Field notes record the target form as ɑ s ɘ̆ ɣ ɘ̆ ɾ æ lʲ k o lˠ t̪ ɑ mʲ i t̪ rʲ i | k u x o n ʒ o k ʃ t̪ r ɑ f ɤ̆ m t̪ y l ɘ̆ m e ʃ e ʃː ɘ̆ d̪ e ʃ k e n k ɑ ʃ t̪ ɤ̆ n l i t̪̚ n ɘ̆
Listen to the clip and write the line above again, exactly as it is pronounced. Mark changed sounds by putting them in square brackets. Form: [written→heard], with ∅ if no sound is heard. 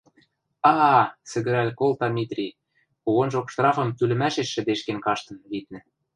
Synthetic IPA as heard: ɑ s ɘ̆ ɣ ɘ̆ ɾ æ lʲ k o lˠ t̪ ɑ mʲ i t̪ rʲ i | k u [x→ɣ] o n ʒ o k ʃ t̪ r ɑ f ɤ̆ m t̪ y l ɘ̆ m [e→æ] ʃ e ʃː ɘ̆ d̪ e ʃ k e n k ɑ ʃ t̪ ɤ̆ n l i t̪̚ n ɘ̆